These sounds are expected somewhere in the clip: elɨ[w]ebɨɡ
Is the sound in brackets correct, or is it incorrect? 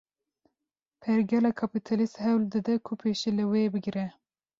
correct